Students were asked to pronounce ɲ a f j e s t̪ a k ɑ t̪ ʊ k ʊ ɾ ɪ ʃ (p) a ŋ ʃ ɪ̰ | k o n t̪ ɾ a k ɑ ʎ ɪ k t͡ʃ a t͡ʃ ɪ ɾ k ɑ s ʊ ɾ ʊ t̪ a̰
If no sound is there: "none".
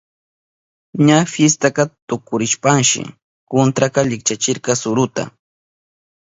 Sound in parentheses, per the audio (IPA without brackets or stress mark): p